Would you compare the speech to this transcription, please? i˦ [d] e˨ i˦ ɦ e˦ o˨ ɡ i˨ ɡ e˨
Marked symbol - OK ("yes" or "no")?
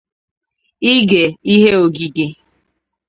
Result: no